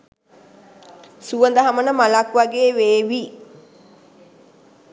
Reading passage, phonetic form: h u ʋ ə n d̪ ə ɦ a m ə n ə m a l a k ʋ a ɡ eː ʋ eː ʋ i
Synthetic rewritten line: s u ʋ ə n d̪ ə ɦ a m ə n ə m a l a k ʋ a ɡ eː ʋ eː ʋ i